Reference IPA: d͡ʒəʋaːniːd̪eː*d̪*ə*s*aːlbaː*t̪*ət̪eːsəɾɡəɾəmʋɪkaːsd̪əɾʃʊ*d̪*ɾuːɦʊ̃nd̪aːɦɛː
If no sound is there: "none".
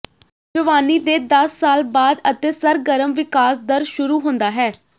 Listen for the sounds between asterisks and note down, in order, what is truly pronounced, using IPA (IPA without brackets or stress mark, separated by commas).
d̪, sː, d̪, none